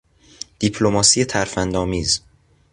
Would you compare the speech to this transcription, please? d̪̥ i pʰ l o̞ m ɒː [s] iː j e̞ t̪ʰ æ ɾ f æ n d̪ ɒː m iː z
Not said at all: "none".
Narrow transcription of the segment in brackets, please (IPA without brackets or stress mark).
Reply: s